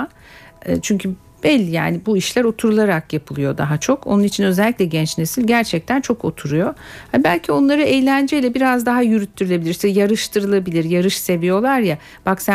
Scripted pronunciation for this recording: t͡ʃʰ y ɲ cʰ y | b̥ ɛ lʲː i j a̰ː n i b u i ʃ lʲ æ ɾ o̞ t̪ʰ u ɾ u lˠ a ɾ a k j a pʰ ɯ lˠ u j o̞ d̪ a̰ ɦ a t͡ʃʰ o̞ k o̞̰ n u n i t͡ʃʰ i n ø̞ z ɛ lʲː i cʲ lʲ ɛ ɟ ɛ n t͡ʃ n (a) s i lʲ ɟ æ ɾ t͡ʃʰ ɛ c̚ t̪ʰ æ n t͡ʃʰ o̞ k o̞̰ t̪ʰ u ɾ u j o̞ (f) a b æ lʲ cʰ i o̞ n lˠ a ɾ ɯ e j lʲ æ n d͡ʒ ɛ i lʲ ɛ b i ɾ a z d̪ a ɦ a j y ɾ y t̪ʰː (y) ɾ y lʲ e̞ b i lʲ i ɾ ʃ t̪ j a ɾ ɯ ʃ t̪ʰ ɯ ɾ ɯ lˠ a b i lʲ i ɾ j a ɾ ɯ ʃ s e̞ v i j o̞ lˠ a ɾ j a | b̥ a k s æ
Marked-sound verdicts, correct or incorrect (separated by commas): incorrect, incorrect, correct